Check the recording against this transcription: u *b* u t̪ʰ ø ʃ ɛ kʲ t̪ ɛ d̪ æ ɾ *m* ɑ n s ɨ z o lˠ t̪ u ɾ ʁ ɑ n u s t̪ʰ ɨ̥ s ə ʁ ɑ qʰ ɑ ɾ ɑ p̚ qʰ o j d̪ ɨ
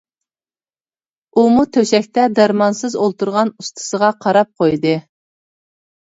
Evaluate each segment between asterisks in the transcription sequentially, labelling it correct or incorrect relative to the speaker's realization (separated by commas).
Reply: incorrect, correct